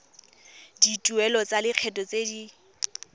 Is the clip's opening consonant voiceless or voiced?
voiced